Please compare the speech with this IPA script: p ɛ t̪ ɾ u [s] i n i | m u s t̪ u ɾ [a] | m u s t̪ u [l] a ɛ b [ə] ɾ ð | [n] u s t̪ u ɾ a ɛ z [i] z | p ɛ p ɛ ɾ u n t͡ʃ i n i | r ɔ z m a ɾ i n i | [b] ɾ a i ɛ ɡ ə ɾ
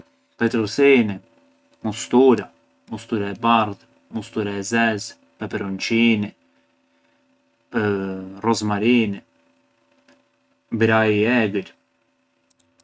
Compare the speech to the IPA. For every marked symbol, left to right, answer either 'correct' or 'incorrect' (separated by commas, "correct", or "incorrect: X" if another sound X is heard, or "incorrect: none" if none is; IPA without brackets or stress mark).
correct, correct, incorrect: ɾ, incorrect: a, incorrect: m, incorrect: ɛ, correct